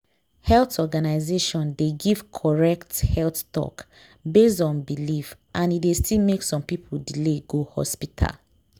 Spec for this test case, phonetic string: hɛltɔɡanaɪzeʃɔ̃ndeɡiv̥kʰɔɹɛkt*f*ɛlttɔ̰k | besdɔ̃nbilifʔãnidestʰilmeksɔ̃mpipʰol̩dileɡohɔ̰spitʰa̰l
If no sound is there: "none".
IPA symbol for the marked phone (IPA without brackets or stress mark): h